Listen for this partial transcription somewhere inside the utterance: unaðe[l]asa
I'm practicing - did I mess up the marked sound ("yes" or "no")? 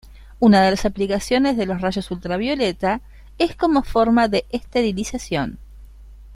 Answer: no